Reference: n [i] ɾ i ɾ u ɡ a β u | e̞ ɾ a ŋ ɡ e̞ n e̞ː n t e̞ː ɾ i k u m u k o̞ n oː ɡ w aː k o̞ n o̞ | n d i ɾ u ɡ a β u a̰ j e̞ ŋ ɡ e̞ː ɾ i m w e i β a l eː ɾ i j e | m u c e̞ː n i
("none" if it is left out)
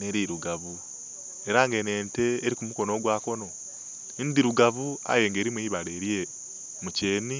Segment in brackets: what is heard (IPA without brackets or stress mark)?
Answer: e